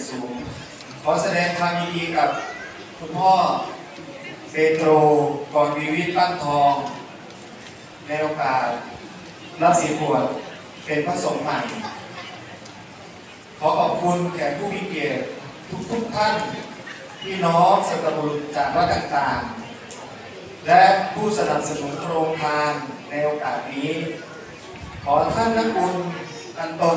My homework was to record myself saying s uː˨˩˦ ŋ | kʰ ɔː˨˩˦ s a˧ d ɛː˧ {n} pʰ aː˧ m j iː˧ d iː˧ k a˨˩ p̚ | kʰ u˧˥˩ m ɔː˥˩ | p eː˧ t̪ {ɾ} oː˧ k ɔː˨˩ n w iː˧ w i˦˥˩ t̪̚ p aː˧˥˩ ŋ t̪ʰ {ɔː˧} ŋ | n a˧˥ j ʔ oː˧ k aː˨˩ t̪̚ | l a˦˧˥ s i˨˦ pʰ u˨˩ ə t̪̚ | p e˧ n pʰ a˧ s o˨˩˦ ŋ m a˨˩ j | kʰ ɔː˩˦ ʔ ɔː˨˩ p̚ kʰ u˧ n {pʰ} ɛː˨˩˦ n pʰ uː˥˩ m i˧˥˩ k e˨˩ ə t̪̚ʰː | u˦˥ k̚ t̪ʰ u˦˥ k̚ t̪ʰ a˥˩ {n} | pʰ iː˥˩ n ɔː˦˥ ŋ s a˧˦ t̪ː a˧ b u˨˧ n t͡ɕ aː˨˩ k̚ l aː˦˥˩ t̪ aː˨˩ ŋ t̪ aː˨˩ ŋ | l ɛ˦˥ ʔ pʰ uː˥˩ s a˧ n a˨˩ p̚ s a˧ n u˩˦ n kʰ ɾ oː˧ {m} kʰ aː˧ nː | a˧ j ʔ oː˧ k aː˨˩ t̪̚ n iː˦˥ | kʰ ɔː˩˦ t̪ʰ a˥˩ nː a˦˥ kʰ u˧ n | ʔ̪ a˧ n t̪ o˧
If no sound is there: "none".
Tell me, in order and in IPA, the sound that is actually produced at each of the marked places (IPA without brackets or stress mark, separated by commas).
ŋ, ɾ, ɔː˧, kʰ, n, ŋ